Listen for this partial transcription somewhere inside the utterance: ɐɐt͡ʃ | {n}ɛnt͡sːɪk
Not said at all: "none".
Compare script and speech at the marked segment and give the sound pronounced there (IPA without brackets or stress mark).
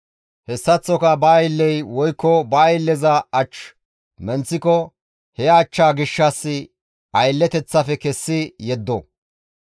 m